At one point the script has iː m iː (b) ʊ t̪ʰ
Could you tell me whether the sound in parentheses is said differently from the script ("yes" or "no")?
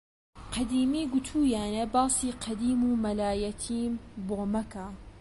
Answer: yes